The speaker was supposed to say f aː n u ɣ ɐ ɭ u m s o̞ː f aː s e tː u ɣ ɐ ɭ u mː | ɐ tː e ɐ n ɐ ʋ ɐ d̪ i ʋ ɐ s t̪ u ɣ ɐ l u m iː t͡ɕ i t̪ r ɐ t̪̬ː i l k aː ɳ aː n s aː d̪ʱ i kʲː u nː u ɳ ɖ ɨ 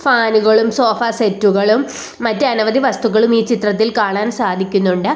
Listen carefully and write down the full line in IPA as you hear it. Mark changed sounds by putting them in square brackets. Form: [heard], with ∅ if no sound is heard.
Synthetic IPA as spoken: f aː n u ɣ ɐ ɭ u m s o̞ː f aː s e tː u ɣ ɐ ɭ u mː | ɐ tː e ɐ n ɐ ʋ ɐ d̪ i ʋ ɐ s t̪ u ɣ ɐ [ɭ] u m iː t͡ɕ i t̪ r ɐ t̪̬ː i l k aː ɳ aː n s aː d̪ʱ i kʲː u nː u ɳ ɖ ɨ